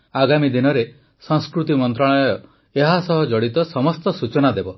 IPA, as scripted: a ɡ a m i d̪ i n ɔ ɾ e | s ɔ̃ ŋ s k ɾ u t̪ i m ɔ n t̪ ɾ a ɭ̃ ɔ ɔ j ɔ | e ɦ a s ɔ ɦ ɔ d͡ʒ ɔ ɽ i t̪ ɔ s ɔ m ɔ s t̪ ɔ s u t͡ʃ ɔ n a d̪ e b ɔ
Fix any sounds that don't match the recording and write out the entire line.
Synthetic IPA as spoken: a ɡ a m i d̪ i n ɔ ɾ e | s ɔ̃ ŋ s k ɾ u t̪ i m ɔ n t̪ ɾ a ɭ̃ ɔ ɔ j ɔ | e ɦ a s ɔ ɦ ɔ d͡ʒ ɔ ɽ i t̪ ɔ s ɔ m ɔ s t̪ ɔ s u t͡ʃ ɔ n a d̪ e b ɔ